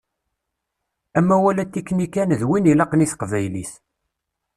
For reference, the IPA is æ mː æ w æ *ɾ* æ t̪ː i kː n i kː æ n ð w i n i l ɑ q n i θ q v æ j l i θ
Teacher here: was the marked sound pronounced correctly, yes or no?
no